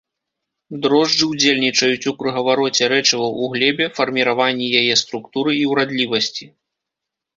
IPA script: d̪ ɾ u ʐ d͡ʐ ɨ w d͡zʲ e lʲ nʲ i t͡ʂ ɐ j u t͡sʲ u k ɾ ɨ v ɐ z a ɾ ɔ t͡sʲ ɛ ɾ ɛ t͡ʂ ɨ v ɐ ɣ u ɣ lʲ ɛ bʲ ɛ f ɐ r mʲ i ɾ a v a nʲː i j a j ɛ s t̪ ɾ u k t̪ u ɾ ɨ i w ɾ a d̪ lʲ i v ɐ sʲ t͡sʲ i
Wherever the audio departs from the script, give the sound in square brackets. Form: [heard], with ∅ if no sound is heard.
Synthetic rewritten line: d̪ ɾ [ɔ] ʐ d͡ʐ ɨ w d͡zʲ e lʲ nʲ i t͡ʂ ɐ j u t͡sʲ u k ɾ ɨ [ɣ] ɐ [v] a ɾ ɔ t͡sʲ ɛ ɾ ɛ t͡ʂ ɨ v ɐ [w] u ɣ lʲ ɛ bʲ ɛ f ɐ r mʲ i ɾ a v a nʲː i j a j ɛ s t̪ ɾ u k t̪ u ɾ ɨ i w ɾ a d̪ lʲ i v ɐ sʲ t͡sʲ i